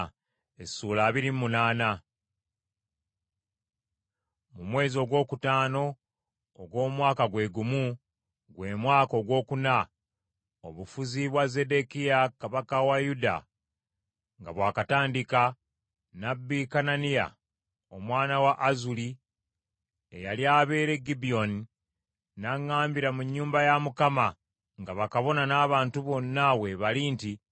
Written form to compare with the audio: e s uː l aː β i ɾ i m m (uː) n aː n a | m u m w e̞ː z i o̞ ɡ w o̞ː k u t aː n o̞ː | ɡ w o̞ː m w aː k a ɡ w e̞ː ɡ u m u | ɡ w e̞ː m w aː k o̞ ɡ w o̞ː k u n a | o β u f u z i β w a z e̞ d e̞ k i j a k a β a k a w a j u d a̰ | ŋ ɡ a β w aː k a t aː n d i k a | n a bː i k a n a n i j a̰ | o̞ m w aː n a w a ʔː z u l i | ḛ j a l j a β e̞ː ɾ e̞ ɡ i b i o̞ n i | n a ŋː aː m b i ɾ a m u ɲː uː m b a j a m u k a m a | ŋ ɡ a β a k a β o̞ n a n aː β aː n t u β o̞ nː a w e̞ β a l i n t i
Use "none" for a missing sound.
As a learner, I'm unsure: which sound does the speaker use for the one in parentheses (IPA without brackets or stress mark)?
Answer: u